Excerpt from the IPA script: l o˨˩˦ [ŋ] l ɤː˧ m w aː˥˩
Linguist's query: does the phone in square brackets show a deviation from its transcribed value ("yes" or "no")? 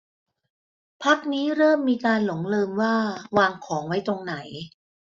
no